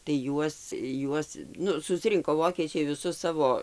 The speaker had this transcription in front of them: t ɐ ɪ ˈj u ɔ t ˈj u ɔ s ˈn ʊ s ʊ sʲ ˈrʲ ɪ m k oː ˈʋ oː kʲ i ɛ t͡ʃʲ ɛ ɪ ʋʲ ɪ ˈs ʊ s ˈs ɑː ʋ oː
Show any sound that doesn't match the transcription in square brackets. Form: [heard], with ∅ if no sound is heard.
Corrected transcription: t ɐ ɪ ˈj u ɔ [s] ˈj u ɔ s ˈn ʊ s ʊ sʲ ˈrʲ ɪ [ŋ] k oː ˈʋ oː kʲ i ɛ t͡ʃʲ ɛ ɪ ʋʲ ɪ ˈs ʊ s ˈs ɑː ʋ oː

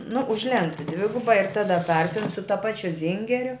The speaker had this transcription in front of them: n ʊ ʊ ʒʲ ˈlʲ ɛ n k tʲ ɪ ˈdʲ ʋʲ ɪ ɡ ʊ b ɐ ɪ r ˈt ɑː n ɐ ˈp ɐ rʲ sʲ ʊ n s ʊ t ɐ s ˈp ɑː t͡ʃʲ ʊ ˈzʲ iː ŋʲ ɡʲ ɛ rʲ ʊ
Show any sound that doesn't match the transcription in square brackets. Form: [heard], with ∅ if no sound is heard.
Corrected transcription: n ʊ ʊ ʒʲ ˈlʲ ɛ [ŋ] k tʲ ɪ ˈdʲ ʋʲ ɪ ɡ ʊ b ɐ ɪ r ˈt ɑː [d] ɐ ˈp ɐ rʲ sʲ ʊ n s ʊ t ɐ [∅] ˈp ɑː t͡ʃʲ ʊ ˈzʲ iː ŋʲ ɡʲ ɛ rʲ ʊ

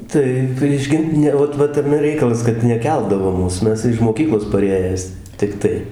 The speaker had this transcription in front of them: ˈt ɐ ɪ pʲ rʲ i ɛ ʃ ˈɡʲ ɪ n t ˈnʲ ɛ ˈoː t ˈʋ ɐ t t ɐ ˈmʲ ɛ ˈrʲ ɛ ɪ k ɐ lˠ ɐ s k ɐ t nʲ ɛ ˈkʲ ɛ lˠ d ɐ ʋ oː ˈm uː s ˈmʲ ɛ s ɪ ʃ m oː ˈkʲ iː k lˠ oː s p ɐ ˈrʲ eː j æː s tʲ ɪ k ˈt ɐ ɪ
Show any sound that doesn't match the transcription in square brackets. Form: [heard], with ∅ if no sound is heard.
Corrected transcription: ˈt ɐ ɪ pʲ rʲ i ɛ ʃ ˈɡʲ ɪ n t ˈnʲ ɛ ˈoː t ˈʋ ɐ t t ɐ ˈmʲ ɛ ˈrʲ ɛ ɪ k ɐ lˠ ɐ s k ɐ t nʲ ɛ ˈkʲ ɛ lˠ d ɐ ʋ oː ˈm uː s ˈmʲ ɛ s ɪ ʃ m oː ˈkʲ iː k lˠ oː s p ɐ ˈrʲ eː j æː s tʲ ɪ k ˈt ɐ ɪ

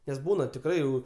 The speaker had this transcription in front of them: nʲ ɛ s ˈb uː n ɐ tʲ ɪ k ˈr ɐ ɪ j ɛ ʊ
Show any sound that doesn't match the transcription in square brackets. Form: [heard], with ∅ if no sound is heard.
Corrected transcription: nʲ ɛ s ˈb uː n ɐ tʲ ɪ k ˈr ɐ ɪ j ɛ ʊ

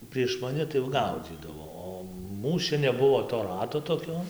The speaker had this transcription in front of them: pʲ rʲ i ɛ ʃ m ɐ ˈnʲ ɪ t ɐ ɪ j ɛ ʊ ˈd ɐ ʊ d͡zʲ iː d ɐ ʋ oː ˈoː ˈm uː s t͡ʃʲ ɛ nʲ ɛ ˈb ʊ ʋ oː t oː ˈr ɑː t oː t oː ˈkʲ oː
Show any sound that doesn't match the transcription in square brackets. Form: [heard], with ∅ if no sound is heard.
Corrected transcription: pʲ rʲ i ɛ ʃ m ɐ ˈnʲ ɪ t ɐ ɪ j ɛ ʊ [ˈɡ] ɐ ʊ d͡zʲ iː d ɐ ʋ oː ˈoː ˈm uː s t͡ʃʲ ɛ nʲ ɛ ˈb ʊ ʋ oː t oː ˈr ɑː t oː t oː ˈkʲ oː

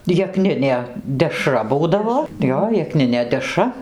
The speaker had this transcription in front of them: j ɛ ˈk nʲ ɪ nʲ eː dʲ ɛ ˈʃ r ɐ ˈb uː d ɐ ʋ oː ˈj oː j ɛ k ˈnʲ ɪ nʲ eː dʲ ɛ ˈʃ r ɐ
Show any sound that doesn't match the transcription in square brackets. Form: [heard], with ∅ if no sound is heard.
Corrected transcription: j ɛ ˈk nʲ ɪ nʲ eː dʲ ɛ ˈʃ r ɐ ˈb uː d ɐ ʋ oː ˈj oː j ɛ k ˈnʲ ɪ nʲ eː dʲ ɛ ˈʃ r ɐ

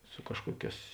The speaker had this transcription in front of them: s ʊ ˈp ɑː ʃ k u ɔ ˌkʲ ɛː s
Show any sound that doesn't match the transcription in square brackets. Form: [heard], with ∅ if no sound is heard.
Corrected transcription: s ʊ [ˈk] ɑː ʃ k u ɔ ˌkʲ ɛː s

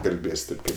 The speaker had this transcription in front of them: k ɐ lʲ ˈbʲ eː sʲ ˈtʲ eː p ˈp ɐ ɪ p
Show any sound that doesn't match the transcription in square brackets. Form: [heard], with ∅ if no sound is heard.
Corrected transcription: k ɐ lʲ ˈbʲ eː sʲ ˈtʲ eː p [ˈk] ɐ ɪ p

